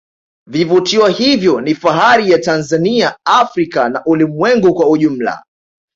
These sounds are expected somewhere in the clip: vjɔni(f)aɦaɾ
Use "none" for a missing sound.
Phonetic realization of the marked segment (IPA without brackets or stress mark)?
f